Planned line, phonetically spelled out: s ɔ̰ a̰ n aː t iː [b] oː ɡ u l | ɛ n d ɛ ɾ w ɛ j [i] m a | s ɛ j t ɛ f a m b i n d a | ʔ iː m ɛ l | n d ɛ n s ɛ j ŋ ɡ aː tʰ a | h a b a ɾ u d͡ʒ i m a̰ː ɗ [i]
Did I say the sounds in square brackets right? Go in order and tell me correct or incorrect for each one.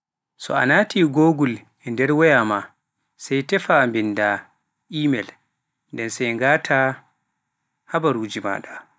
incorrect: ɡ, incorrect: a, incorrect: a

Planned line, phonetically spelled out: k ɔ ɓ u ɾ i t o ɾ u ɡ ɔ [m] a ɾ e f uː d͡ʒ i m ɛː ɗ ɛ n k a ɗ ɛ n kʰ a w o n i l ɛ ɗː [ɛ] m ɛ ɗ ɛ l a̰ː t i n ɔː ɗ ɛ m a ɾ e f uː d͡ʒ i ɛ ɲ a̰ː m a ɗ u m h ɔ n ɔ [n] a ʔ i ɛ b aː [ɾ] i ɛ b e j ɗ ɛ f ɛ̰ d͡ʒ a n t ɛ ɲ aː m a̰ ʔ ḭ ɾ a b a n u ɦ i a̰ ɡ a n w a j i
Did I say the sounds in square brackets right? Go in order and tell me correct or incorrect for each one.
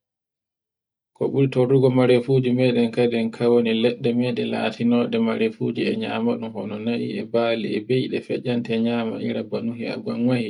correct, correct, correct, incorrect: l

